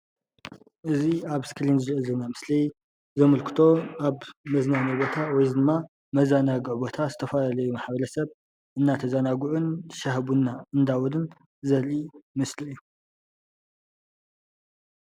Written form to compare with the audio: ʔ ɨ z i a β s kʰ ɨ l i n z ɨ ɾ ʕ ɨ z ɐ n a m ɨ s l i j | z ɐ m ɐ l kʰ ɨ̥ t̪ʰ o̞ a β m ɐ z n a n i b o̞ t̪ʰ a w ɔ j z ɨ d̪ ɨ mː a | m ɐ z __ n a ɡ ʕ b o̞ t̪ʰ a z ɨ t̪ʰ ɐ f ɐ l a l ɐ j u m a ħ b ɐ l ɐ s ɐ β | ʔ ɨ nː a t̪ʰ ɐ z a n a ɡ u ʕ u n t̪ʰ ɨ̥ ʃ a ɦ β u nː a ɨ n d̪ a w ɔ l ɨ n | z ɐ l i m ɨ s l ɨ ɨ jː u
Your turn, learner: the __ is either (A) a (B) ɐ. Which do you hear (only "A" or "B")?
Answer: A